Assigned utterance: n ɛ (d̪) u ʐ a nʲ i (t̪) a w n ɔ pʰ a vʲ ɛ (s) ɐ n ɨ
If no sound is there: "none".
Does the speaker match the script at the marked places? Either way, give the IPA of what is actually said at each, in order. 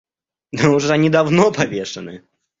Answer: none, d̪, ʂ

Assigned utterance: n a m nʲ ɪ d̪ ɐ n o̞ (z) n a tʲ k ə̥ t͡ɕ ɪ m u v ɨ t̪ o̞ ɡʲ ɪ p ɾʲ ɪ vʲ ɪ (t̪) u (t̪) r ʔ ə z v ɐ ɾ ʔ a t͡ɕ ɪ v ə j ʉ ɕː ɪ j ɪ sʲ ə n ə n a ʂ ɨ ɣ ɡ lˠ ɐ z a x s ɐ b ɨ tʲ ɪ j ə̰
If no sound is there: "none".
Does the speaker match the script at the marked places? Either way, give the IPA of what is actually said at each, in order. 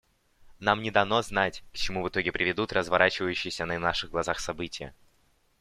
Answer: z, d̪, t̪

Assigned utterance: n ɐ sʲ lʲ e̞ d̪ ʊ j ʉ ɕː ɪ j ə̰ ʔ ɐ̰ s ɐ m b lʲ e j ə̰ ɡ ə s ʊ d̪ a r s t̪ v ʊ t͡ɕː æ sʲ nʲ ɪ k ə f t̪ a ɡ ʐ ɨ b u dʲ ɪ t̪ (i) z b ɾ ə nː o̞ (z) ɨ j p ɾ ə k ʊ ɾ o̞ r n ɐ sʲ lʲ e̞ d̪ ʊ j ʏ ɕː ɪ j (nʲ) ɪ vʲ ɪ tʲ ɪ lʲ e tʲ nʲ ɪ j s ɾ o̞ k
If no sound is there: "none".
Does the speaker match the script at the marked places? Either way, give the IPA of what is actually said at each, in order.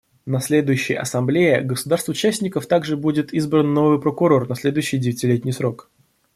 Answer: i, v, dʲ

